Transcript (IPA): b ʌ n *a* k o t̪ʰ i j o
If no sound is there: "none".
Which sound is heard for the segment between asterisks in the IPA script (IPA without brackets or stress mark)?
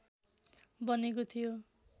e